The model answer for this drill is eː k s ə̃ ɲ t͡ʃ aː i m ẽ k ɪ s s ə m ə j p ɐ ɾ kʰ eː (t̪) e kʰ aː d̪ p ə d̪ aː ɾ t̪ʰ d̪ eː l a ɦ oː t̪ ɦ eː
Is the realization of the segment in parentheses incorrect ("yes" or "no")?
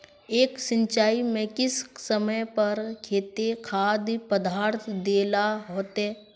no